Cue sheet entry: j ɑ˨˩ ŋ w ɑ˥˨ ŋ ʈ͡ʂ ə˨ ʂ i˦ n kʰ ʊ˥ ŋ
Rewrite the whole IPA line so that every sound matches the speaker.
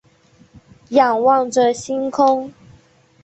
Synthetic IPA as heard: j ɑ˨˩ ŋ w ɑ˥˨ ŋ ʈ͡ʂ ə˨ ɕ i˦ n kʰ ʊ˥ ŋ